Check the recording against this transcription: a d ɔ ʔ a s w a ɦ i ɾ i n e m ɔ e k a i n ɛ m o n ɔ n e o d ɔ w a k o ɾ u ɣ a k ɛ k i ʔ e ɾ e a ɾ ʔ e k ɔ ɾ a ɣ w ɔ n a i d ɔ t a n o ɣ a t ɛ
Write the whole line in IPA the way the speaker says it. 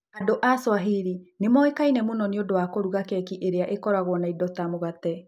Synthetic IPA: a d o ʔ a s w a ɦ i ɾ i n e m ɔ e k a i n ɛ m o n ɔ n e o d o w a k o ɾ u ɣ a k ɛ k i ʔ e ɾ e a ʔ e k ɔ ɾ a ɣ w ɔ n a i d ɔ t a m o ɣ a t ɛ

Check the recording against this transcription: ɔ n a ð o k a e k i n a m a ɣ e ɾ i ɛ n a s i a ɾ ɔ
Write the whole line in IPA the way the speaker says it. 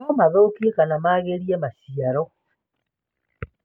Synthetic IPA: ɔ m a ð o k i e k a n a m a ɣ e ɾ i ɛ m a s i a ɾ ɔ

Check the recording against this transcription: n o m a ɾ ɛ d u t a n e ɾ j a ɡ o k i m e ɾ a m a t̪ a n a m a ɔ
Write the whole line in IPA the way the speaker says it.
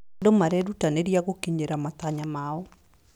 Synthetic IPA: d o m a ɾ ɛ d u t a n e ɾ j a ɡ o k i ɲ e ɾ a m a t̪ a ɲ a m a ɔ

